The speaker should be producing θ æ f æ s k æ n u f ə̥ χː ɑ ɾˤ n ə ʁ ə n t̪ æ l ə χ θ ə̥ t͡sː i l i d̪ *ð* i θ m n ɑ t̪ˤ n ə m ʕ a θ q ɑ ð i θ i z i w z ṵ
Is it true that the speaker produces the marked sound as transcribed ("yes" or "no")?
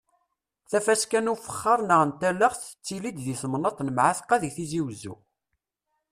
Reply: yes